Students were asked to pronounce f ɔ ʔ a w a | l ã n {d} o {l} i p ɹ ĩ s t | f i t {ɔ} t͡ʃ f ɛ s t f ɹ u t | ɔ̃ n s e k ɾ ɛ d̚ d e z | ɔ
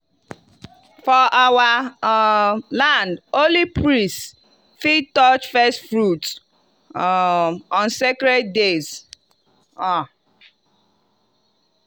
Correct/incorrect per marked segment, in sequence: correct, correct, correct

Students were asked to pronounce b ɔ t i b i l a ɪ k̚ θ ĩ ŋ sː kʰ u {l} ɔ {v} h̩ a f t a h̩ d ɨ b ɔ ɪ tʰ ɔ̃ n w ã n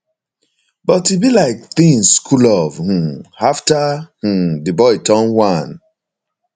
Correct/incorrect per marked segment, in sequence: correct, correct

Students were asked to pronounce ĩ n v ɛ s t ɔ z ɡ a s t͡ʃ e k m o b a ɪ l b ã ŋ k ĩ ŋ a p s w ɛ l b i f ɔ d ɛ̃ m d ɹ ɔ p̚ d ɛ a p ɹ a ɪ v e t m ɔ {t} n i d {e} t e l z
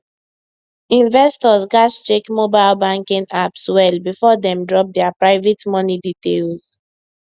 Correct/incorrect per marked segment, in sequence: incorrect, incorrect

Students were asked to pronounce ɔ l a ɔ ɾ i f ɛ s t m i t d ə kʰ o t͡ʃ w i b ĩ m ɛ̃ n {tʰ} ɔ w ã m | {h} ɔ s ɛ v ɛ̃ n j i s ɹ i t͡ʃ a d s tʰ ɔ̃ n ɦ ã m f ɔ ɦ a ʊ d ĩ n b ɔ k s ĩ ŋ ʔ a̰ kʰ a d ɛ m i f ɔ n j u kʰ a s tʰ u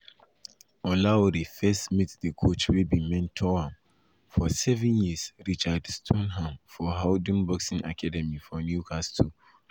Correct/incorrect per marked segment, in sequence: correct, incorrect

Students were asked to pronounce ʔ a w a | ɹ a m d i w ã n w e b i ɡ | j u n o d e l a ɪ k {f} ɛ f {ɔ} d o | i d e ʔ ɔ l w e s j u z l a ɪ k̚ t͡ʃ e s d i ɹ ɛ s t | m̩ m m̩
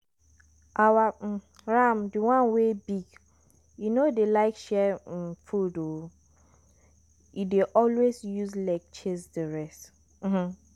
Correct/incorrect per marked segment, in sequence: incorrect, incorrect

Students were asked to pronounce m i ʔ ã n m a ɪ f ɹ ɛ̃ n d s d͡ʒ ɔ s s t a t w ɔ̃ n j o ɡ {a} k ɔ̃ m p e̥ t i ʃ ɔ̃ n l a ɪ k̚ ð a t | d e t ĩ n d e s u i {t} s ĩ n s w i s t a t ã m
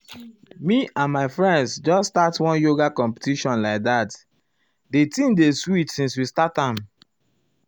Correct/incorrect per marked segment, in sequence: correct, correct

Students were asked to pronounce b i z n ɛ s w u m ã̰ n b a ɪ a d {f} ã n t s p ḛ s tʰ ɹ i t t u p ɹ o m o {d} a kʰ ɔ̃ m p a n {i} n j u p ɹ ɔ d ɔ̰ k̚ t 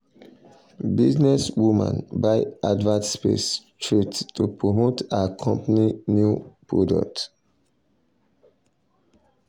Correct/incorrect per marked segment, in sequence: incorrect, incorrect, correct

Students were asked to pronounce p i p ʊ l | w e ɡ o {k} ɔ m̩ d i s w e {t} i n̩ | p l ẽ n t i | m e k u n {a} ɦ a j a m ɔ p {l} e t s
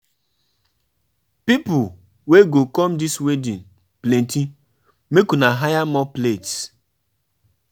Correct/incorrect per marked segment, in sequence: correct, incorrect, correct, correct

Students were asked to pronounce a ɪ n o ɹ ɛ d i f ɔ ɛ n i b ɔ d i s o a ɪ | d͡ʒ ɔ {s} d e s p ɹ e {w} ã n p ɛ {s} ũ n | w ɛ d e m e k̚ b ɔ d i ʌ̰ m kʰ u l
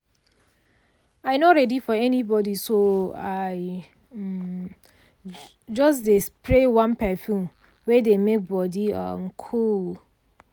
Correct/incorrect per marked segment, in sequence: correct, correct, incorrect

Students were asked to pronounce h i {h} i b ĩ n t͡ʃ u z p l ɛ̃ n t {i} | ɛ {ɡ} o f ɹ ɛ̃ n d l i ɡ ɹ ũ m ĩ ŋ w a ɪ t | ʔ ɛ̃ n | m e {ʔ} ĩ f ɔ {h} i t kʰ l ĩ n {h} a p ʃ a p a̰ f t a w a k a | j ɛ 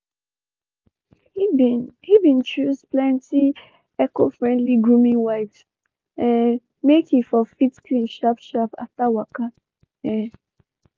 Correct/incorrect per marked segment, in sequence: correct, correct, incorrect, incorrect, incorrect, incorrect

